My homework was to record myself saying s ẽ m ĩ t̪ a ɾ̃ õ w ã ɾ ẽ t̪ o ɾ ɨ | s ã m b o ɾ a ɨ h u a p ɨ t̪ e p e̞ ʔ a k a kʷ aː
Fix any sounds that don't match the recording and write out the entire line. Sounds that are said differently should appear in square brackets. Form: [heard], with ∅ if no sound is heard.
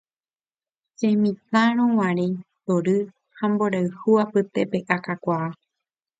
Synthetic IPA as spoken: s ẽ m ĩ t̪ a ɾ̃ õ w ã ɾ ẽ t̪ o ɾ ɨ | [h] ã m b o ɾ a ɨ h u a p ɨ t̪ e p e̞ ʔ a k a kʷ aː

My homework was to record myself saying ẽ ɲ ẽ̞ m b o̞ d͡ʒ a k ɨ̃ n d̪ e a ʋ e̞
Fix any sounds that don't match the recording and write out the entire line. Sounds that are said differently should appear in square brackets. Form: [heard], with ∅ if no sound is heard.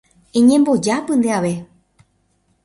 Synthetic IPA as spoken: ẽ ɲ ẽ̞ m b o̞ d͡ʒ a [p] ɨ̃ n d̪ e a ʋ e̞

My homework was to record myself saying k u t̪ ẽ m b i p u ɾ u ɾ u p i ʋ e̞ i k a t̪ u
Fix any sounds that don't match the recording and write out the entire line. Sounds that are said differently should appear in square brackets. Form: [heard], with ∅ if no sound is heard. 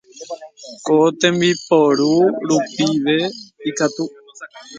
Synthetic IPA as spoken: k [o] t̪ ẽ m b i p [o] ɾ u ɾ u p i ʋ e̞ i k a t̪ u

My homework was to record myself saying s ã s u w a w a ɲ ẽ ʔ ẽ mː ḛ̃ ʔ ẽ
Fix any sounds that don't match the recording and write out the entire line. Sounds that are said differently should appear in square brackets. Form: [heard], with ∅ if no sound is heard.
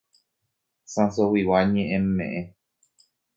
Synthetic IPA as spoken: s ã s [o] w [i] w a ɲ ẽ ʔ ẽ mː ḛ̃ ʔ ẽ

